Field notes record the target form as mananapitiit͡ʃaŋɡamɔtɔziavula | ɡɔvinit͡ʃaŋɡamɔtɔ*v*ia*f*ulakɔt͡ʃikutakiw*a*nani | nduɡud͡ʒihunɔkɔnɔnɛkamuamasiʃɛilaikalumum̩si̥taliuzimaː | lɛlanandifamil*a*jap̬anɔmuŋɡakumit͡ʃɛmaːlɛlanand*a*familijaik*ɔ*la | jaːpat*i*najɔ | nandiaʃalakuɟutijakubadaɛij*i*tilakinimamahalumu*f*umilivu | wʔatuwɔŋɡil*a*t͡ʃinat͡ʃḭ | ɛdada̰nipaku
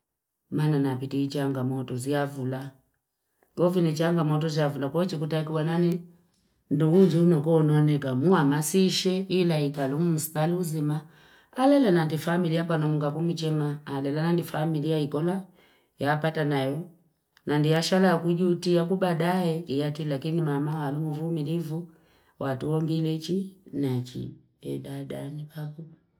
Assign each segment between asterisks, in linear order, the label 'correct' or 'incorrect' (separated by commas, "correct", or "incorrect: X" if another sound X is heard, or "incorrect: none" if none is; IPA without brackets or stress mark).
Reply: incorrect: z, incorrect: v, correct, incorrect: i, incorrect: i, correct, incorrect: a, incorrect: a, incorrect: v, incorrect: ɛ